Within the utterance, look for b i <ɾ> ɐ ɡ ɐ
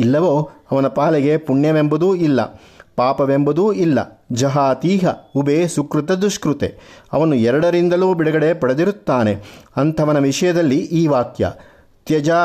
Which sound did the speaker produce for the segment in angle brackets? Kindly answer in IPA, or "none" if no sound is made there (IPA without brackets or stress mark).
ɽ